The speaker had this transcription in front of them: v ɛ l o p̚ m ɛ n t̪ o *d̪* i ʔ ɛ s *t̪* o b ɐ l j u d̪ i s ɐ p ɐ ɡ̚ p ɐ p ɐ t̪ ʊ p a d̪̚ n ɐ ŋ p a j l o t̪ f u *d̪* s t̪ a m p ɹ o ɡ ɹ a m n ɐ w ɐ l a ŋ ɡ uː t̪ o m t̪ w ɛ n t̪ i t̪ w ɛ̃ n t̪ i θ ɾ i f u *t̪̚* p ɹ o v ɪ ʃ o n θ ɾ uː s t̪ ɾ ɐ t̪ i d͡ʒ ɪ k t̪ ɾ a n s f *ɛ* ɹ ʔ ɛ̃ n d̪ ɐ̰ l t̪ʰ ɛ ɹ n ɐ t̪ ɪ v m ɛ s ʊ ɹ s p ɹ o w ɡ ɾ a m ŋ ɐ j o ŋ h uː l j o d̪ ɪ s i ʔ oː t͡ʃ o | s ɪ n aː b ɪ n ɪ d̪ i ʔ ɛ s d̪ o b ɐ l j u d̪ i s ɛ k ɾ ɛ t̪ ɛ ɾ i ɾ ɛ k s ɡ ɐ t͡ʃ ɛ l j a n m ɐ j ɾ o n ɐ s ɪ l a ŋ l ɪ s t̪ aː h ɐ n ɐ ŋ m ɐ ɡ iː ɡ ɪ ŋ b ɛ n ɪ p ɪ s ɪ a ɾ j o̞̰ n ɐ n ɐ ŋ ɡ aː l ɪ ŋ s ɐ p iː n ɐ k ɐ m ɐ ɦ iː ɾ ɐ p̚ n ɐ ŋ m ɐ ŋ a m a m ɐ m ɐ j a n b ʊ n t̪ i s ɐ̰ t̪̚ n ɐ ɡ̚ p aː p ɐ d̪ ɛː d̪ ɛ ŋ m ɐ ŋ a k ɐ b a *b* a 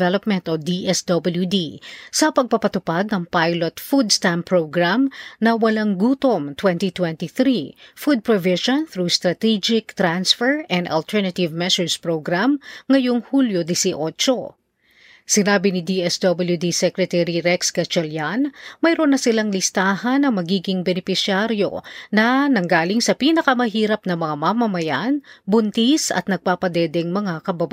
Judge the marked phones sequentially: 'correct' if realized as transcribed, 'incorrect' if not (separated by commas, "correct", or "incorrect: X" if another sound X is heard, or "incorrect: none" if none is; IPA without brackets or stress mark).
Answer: correct, incorrect: d̪, correct, incorrect: d̪̚, correct, correct